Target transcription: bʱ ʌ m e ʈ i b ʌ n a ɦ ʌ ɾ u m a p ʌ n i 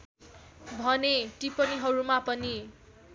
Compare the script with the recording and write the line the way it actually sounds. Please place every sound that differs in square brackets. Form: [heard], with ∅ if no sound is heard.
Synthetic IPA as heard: bʱ ʌ [n] e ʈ i [p] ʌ n [i] ɦ ʌ ɾ u m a p ʌ n i